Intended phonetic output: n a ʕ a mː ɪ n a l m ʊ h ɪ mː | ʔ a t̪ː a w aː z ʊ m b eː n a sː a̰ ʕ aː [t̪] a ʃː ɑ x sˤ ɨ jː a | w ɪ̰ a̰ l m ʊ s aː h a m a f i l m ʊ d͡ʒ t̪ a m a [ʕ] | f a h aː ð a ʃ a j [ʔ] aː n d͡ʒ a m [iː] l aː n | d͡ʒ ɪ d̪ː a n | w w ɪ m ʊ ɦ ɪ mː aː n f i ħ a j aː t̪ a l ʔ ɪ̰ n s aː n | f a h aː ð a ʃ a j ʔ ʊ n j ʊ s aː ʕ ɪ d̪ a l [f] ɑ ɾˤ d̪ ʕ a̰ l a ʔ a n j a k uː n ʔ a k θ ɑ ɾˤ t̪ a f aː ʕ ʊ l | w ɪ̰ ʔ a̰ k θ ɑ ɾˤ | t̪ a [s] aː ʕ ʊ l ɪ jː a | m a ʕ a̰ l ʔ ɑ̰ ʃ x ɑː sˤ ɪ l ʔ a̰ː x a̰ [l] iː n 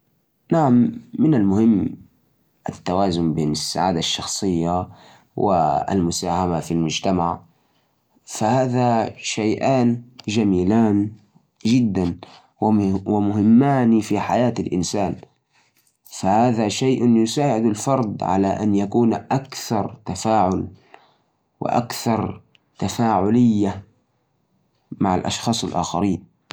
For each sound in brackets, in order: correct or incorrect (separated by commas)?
incorrect, correct, correct, correct, correct, incorrect, incorrect